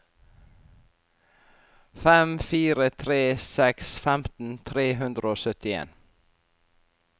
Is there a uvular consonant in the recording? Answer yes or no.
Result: no